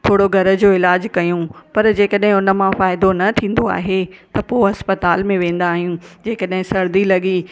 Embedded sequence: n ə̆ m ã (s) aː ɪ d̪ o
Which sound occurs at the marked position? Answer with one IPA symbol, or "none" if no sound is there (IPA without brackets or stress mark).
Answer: f